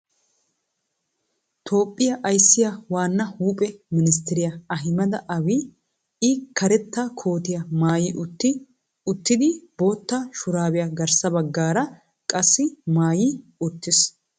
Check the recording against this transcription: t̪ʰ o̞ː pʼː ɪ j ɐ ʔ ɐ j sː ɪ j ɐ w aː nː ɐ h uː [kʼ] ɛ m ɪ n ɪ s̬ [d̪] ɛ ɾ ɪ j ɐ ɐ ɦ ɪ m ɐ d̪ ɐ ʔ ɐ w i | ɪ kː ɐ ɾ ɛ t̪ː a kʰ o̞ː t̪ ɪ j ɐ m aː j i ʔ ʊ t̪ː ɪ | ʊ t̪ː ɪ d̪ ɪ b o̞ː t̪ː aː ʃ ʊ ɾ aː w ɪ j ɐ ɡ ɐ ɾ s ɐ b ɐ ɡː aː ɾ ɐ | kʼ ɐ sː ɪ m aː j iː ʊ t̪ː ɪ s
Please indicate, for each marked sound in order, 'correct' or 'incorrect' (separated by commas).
incorrect, incorrect